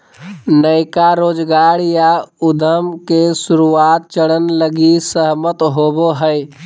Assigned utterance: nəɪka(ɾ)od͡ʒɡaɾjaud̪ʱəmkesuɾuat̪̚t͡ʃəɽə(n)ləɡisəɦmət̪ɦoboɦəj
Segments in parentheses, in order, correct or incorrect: correct, correct

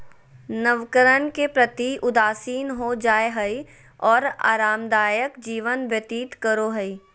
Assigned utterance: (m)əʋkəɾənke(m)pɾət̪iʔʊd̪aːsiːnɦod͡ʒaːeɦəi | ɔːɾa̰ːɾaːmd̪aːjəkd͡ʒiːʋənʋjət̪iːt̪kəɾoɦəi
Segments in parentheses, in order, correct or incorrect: incorrect, incorrect

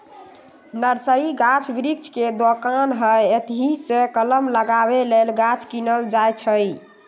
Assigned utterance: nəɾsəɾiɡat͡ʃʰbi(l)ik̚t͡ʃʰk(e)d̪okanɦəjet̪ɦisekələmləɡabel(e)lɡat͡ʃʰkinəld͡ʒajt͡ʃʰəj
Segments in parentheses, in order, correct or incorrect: incorrect, correct, correct

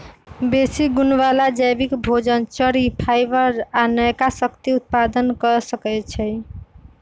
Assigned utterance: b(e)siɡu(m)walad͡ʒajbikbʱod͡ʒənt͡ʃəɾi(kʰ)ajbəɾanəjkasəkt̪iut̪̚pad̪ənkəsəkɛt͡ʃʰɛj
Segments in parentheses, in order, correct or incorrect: correct, incorrect, incorrect

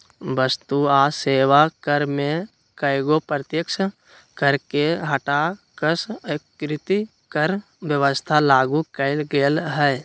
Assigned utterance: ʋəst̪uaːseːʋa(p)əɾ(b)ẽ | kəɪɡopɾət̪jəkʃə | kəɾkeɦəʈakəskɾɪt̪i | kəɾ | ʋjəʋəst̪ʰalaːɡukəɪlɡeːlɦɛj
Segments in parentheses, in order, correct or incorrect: incorrect, incorrect

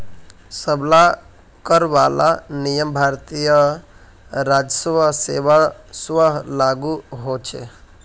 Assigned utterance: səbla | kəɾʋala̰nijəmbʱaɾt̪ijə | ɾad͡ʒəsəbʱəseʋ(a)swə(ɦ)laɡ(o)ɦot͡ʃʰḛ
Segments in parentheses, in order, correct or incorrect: correct, correct, incorrect

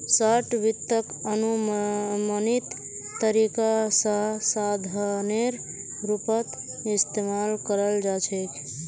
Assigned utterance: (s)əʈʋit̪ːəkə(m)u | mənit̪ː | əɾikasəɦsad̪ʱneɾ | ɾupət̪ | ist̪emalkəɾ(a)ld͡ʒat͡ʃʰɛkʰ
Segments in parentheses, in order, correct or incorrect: correct, incorrect, incorrect

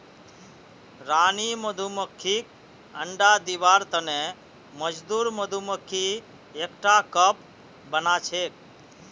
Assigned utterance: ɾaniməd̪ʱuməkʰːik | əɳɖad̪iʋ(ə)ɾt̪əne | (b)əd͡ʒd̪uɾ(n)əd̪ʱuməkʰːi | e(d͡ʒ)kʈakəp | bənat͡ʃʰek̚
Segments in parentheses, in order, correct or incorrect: incorrect, incorrect, incorrect, incorrect

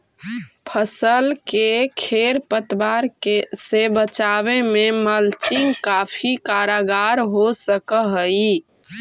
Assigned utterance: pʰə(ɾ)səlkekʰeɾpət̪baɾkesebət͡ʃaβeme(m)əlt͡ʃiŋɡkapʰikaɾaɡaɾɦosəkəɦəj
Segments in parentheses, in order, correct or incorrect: incorrect, correct

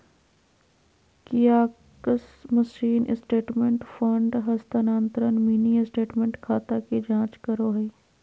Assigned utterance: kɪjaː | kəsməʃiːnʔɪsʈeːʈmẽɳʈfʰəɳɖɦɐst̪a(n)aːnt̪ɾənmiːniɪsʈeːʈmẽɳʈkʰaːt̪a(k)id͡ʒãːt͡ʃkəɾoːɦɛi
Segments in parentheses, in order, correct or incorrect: correct, correct

